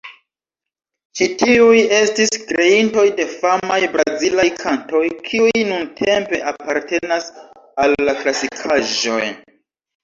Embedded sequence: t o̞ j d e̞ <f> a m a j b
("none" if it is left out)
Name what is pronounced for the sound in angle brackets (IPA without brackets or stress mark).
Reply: f